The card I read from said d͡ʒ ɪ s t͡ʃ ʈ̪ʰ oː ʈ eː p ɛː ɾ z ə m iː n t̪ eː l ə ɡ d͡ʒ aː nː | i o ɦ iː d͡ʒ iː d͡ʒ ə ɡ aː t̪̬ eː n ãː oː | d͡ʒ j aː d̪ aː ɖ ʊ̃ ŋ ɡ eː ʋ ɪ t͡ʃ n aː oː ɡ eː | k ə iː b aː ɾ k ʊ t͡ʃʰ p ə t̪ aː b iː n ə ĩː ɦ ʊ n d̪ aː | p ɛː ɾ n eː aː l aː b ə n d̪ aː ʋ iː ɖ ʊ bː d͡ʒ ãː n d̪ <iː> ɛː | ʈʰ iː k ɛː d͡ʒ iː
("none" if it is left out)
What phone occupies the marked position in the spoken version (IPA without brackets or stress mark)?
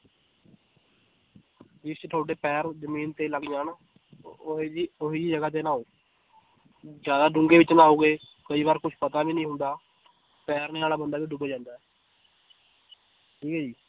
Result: aː